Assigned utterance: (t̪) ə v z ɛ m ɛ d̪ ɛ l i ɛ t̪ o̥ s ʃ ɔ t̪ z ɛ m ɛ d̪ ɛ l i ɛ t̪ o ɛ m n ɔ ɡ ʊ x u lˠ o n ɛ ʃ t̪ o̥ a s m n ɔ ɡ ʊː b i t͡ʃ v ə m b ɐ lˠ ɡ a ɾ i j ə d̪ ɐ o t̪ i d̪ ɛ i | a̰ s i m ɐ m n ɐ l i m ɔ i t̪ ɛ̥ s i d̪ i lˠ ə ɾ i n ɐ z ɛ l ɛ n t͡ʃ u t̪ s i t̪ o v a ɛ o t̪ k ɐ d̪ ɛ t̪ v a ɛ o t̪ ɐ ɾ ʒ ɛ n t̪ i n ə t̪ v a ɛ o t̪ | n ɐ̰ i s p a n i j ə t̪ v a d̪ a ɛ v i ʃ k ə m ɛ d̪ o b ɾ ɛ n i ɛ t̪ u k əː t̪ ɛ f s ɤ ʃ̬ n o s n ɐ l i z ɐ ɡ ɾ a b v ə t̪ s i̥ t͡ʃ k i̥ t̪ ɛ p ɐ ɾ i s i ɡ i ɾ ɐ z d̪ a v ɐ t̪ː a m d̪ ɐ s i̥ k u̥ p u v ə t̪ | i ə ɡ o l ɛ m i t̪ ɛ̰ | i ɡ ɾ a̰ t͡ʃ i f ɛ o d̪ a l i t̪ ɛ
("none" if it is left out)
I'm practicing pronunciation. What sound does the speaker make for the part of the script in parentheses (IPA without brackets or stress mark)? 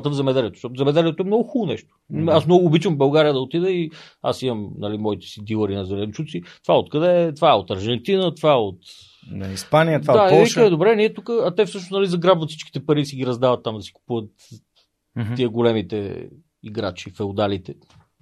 t̪